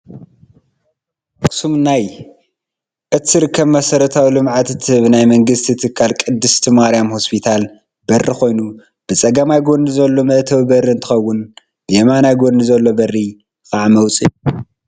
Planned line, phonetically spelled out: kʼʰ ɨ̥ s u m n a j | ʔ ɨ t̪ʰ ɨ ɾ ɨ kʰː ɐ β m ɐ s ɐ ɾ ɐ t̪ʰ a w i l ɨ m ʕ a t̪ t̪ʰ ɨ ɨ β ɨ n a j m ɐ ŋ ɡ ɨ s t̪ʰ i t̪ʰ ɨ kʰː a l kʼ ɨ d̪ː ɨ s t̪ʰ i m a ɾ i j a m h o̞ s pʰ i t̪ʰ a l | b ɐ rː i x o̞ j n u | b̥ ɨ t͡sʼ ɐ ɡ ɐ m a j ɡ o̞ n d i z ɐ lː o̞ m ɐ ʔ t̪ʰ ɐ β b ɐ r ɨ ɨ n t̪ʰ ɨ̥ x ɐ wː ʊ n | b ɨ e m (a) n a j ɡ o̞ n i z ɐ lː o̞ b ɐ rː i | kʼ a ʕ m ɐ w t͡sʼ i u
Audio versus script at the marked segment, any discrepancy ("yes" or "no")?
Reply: no